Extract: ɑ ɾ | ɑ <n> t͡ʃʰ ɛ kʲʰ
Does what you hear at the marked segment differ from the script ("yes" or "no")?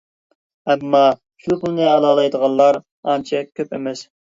no